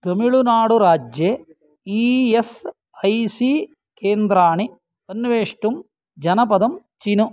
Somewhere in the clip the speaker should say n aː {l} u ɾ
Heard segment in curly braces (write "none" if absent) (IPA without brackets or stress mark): ɽ